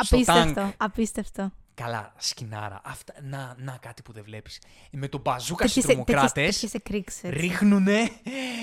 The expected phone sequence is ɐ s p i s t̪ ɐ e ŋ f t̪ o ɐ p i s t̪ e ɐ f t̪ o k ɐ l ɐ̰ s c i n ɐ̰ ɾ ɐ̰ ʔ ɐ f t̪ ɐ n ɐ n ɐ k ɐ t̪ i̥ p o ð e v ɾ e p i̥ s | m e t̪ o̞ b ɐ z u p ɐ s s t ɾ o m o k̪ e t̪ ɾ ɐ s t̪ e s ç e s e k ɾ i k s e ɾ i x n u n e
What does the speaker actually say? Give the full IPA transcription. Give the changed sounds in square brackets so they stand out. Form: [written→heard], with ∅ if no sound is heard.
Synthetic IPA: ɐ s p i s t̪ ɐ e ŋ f t̪ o ɐ p i s t̪ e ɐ f t̪ o k ɐ l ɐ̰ s c i n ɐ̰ ɾ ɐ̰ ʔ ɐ f t̪ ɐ n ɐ n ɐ k ɐ t̪ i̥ p [o→u] ð e v [ɾ→l] e p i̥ s | m e t̪ o̞ b ɐ z u [p→k] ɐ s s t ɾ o m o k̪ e [t̪→∅] ɾ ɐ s t̪ e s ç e s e k ɾ i k s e ɾ i x n u n e